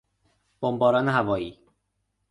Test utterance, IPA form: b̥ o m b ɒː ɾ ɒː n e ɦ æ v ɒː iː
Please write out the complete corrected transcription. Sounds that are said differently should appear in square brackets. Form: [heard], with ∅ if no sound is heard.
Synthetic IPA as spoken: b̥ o m b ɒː ɾ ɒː n e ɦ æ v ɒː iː